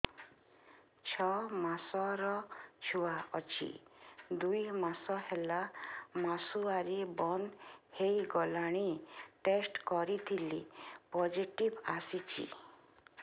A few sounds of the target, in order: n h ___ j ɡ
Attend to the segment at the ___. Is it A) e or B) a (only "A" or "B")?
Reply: A